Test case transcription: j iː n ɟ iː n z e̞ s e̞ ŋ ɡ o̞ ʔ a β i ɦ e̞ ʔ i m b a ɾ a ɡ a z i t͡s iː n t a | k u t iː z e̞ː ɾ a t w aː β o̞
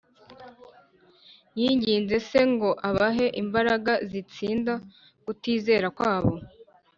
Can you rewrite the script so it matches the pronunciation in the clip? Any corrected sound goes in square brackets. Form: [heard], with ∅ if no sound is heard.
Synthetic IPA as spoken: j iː [ɲ] ɟ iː n z e̞ s e̞ ŋ ɡ o̞ ʔ a β [a] ɦ e̞ ʔ i m b a ɾ a ɡ a z i t͡s iː n [d] a | k u t iː z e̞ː ɾ a [k] w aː β o̞